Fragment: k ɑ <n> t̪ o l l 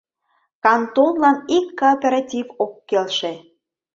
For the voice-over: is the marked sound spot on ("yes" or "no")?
yes